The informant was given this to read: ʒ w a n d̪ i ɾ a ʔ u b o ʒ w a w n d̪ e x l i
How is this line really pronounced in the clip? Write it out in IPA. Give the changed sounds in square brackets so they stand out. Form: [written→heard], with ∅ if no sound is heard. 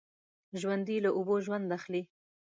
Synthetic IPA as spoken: ʒ w a n d̪ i [ɾ→l] a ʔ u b o ʒ w a [w→∅] n d̪ [e→a] x l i

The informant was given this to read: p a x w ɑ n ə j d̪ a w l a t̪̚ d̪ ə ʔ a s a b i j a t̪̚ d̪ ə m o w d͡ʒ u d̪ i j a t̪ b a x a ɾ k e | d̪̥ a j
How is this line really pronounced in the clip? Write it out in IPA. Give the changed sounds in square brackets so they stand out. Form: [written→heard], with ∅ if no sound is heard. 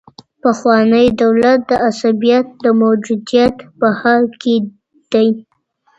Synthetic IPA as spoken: p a x w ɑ n ə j d̪ a w l a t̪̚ d̪ ə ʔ a s a b i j a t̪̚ d̪ ə m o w d͡ʒ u d̪ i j a t̪ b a [x→h] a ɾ k e | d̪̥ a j

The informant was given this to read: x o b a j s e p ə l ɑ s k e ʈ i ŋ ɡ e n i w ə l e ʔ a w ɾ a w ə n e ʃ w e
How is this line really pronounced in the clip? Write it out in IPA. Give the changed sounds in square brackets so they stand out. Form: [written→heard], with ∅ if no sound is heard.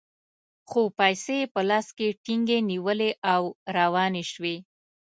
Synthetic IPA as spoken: x o [b→p] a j s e p ə l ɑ s k e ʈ i ŋ ɡ e n i w ə l e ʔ a w ɾ a w [ə→ɑ] n e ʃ w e

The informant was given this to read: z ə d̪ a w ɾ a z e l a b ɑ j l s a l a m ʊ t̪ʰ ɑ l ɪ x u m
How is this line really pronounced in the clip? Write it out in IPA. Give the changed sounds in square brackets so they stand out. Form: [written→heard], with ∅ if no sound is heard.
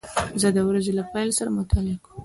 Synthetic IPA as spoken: z ə d̪ [a→ə] w ɾ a z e l a [b→p] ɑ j l s a [l→ɾ] a m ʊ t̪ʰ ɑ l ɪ [x→k] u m

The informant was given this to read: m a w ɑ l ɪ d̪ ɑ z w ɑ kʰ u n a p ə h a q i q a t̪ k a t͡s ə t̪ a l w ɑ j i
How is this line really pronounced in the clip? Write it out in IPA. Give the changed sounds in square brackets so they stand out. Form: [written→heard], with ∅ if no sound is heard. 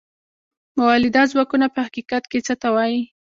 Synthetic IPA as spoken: m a w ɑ l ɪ d̪ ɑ z w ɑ [kʰ→k] u n a p ə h a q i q a t̪ k [a→e] t͡s ə t̪ a [l→∅] w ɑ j i

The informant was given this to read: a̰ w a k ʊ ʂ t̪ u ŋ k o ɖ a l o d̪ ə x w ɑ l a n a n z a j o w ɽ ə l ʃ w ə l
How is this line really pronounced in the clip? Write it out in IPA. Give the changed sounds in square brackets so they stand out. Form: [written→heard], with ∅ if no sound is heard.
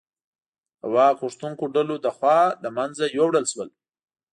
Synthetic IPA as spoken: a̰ w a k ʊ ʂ t̪ u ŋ k o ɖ a l o d̪ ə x w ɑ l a [n→m] a n z a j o w ɽ ə l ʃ w ə l

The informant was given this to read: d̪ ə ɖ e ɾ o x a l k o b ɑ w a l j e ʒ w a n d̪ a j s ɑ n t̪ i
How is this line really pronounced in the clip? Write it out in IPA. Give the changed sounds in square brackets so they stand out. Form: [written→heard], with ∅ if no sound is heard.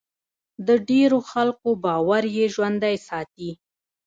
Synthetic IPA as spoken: d̪ ə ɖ e ɾ o x a l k o b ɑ w a [l→ɾ] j e ʒ w a n d̪ a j s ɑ [n→∅] t̪ i

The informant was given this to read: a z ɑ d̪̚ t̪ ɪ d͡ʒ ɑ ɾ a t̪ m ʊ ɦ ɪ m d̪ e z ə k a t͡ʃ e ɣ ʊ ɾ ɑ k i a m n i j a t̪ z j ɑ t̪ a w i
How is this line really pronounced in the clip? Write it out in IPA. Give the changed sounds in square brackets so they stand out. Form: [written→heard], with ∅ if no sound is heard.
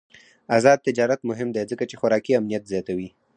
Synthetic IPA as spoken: a z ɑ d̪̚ t̪ ɪ d͡ʒ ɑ ɾ a t̪ m ʊ ɦ ɪ m d̪ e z ə k a t͡ʃ e [ɣ→x] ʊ ɾ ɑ k i a m n i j a t̪ z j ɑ t̪ a w i

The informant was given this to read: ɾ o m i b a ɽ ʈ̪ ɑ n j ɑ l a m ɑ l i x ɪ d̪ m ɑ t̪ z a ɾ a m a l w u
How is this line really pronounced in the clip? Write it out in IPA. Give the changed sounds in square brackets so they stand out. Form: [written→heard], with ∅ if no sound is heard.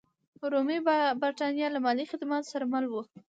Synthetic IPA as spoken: ɾ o m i b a [ɽ→ɾ] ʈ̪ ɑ n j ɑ l a m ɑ l i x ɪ d̪ m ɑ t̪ [z→s] a ɾ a m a l w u

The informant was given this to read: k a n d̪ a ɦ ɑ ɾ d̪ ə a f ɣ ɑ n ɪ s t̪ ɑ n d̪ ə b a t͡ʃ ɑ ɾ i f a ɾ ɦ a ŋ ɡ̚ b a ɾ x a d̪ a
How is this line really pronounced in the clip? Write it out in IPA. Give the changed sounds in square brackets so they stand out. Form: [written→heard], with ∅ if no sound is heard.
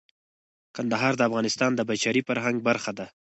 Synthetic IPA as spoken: k a n d̪ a ɦ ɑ ɾ d̪ ə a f ɣ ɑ n ɪ s t̪ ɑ n d̪ ə b a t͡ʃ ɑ ɾ i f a ɾ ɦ a ŋ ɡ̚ b a ɾ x a d̪ a

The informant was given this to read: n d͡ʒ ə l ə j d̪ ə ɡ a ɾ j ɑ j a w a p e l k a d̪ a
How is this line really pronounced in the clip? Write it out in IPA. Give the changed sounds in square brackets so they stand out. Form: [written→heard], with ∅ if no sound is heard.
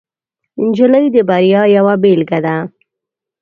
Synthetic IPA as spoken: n d͡ʒ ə l ə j d̪ ə [ɡ→b] a ɾ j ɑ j a w a [p→b] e l [k→ɡ] a d̪ a

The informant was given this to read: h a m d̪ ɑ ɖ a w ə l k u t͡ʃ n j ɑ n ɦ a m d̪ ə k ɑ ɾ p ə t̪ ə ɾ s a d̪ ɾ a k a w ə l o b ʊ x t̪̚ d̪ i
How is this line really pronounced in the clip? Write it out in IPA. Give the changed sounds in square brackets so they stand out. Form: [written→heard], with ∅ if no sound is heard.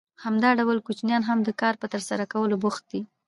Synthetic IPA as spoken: h a m d̪ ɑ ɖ a w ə l k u t͡ʃ n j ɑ n ɦ a m d̪ ə k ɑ ɾ p ə t̪ ə ɾ s a [d̪→∅] ɾ a k a w ə l o b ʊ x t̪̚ d̪ i

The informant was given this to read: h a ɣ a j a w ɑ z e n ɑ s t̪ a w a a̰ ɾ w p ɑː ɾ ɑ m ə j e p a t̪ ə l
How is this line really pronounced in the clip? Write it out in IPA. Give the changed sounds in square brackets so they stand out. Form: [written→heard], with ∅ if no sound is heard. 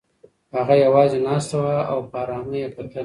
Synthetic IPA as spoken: h a ɣ a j a w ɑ z e n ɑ s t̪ a w a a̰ [ɾ→∅] w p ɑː ɾ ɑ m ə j e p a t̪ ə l

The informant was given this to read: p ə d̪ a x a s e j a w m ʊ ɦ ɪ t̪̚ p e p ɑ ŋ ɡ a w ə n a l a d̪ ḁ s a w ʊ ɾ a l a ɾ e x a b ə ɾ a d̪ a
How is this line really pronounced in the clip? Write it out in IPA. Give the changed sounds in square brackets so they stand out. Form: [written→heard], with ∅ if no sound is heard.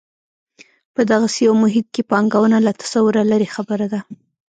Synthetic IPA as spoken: p ə d̪ a [x→ɣ] a s e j a w m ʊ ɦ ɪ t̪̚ [p→k] e p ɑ ŋ ɡ a w ə n a l a [d̪→t̪] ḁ s a w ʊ ɾ a l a ɾ e x a b ə ɾ a d̪ a

